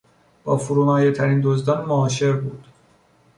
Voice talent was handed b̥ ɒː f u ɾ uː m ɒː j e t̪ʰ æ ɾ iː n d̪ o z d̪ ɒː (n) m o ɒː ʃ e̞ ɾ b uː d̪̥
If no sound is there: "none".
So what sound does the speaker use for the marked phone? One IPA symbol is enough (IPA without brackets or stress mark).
n